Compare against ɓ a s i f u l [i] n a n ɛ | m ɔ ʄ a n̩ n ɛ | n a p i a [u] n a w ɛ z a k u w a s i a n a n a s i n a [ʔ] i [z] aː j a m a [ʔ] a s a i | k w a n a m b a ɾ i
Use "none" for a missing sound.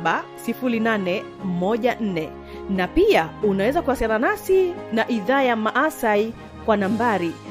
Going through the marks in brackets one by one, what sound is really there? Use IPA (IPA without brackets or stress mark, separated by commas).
i, u, ʔ, ð, ʔ